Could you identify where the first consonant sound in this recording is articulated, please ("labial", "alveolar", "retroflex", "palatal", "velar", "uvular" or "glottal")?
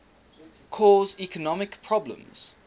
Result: velar